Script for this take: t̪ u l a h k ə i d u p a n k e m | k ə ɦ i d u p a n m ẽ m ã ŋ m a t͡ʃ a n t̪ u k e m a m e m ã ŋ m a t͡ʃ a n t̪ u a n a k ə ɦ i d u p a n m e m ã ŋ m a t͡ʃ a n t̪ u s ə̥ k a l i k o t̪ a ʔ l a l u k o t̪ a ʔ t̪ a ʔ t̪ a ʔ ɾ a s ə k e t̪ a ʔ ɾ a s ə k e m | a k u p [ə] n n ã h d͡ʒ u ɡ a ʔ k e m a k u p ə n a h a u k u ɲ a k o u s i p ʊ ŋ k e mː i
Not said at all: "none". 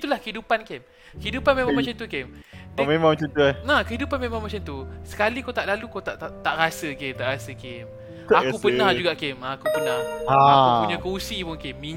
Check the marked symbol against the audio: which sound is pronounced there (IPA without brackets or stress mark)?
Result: ə